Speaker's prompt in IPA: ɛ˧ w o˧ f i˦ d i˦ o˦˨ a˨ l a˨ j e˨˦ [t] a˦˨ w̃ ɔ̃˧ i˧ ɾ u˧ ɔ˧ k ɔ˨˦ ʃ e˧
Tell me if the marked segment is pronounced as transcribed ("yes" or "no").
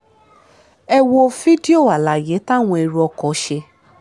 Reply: yes